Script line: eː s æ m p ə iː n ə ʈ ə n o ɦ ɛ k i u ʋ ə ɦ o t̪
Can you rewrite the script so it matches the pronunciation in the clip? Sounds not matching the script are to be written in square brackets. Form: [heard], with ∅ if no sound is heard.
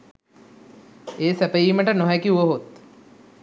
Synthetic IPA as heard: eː s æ [∅] p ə iː [m] ə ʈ ə n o ɦ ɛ k i u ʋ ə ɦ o t̪